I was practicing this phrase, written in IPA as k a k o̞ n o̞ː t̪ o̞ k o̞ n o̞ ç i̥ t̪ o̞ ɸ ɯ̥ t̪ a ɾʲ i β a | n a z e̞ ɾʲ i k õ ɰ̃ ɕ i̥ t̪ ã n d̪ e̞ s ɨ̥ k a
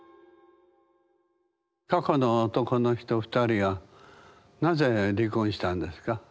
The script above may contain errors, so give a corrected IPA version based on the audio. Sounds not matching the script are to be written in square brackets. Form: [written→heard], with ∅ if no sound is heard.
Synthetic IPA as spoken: k a k o̞ n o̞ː t̪ o̞ k o̞ n o̞ ç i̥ t̪ o̞ ɸ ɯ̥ t̪ a ɾʲ i β a | n a z e̞ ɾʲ i k õ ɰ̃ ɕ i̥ t̪ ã n d̪ e̞ s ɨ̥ k a